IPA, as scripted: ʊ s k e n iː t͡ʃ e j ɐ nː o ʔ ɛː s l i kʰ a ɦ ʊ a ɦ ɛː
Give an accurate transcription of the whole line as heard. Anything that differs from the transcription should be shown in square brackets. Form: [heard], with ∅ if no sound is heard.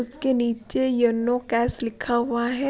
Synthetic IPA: ʊ s k e n iː t͡ʃ e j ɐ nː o [k] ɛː s l [ɪ] kʰ a ɦ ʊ a ɦ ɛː

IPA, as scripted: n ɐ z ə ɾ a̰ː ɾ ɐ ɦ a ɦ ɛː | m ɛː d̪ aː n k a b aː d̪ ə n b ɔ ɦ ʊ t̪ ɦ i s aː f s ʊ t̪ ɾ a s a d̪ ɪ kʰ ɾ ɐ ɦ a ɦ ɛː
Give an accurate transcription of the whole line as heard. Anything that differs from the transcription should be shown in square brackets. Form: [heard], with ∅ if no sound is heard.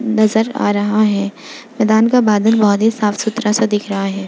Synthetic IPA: n ɐ z ə ɾ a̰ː ɾ ɐ ɦ a ɦ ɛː | m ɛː d̪ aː n k a b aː d̪ ə n b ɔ ɦ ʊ t̪ ɦ i s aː f s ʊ t̪ ɾ a s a d̪ ɪ kʰ ɾ ɐ ɦ a ɦ ɛː

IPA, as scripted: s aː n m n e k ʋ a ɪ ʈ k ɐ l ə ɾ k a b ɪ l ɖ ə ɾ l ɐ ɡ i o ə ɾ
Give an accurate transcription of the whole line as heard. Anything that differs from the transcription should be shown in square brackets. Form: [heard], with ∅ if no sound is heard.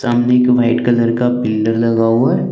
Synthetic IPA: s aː [∅] m n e k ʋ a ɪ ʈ k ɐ l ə ɾ k a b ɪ l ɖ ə ɾ l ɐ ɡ [a] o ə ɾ

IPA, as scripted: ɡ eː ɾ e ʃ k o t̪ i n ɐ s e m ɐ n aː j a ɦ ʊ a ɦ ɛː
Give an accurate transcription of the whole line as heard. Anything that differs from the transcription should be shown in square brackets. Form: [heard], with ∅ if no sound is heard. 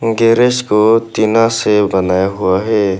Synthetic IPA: ɡ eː ɾ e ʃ k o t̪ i n [a] s e [b] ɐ n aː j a ɦ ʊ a ɦ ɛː

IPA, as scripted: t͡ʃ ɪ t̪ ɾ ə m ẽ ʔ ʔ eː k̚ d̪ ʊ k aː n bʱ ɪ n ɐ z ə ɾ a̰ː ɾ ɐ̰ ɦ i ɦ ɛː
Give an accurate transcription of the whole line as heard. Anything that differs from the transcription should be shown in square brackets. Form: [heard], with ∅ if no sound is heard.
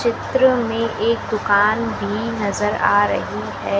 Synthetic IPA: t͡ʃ ɪ t̪ ɾ ə m ẽ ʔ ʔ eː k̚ d̪ ʊ k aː n bʱ [i] n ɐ z ə ɾ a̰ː ɾ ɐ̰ ɦ i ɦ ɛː

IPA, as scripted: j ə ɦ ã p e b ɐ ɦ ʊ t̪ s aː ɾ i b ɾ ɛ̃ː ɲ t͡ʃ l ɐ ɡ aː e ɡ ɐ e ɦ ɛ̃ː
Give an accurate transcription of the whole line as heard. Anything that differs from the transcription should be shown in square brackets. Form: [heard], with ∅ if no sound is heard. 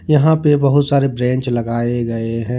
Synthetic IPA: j [ɐ] ɦ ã p e b ɐ ɦ ʊ t̪ s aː ɾ [e] b ɾ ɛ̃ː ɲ t͡ʃ l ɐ ɡ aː e ɡ ɐ e ɦ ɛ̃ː

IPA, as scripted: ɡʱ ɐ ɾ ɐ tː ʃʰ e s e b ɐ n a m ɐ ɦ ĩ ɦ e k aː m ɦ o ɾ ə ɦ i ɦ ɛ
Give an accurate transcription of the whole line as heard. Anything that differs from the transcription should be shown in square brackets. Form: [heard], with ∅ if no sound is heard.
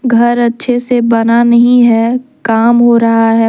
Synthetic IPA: ɡʱ ɐ ɾ ɐ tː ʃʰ e s e b ɐ n a [n] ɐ ɦ ĩ ɦ [ɛ] k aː m ɦ o ɾ [ɐ] ɦ [a] ɦ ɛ

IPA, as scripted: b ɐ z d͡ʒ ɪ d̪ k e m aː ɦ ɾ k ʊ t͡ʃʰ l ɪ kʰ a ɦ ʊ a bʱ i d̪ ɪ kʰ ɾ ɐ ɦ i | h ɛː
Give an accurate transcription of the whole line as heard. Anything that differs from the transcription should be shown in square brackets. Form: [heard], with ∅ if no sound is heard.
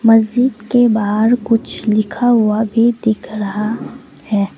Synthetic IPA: [m] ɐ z d͡ʒ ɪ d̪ k e [b] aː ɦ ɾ k ʊ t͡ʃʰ l ɪ kʰ a ɦ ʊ a bʱ i d̪ ɪ kʰ ɾ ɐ ɦ [a] | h ɛː

